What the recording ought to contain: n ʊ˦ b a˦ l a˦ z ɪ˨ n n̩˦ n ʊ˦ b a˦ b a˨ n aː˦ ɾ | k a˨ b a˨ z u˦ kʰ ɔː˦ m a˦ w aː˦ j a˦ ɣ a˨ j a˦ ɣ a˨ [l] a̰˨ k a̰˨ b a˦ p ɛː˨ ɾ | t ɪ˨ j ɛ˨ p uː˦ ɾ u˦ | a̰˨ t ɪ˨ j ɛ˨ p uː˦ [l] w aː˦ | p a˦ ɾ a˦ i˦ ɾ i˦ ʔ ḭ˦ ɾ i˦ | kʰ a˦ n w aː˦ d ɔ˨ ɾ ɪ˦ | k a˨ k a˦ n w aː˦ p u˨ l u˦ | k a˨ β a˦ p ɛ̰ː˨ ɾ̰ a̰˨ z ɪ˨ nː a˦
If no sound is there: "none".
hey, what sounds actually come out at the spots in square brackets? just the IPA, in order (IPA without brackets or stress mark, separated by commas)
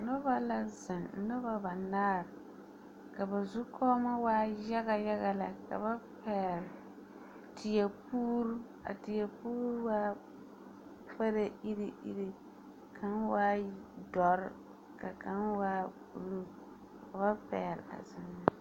l, ɾ